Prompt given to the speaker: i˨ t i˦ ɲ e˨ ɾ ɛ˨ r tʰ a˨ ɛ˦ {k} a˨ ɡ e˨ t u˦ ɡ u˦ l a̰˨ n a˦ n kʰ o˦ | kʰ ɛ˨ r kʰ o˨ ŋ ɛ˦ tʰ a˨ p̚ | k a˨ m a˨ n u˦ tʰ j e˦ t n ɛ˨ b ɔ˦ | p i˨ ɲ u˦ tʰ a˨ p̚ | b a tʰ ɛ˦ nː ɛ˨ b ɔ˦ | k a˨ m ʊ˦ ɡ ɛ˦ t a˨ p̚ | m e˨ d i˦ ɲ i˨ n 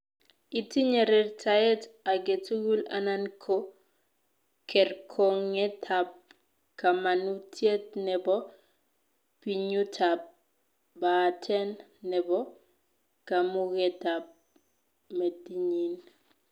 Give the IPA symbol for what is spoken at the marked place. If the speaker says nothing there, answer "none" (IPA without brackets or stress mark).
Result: t